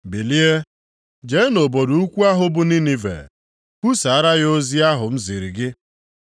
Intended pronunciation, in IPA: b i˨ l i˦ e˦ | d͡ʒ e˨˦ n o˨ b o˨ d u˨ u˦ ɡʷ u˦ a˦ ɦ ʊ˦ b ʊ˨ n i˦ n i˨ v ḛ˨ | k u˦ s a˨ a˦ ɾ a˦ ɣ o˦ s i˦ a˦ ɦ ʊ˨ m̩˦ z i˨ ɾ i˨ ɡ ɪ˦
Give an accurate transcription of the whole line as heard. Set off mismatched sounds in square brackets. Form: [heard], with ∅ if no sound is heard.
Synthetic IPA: b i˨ l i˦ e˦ | d͡ʒ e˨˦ n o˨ b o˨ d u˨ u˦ [kʷ] u˦ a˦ ɦ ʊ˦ b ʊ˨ n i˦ n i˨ v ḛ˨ | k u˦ s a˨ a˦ ɾ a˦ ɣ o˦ [z] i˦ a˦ ɦ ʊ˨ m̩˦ z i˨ ɾ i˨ ɡ ɪ˦